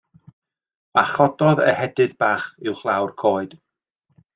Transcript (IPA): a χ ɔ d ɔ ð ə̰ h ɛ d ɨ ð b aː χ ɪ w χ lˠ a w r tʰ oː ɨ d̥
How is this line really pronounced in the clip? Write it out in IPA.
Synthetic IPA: a χ ɔ d ɔ ð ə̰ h ɛ d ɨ ð b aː χ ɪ w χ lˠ a w r kʰ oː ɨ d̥